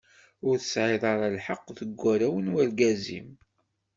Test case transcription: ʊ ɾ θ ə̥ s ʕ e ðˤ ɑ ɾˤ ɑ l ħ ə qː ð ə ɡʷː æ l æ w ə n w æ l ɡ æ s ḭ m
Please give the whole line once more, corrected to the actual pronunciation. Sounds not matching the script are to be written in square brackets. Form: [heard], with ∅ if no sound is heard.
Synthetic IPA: ʊ ɾ θ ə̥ s ʕ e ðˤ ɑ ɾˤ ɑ l ħ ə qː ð ə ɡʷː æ [ɾ] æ w ə n w æ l ɡ æ [z] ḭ m